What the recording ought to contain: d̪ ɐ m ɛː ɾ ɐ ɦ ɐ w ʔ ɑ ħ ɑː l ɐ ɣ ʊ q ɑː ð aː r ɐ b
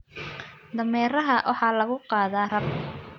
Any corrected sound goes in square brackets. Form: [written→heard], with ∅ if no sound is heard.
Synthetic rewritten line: d̪ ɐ m ɛː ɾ ɐ ɦ ɐ w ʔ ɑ ħ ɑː l ɐ ɣ ʊ q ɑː ð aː r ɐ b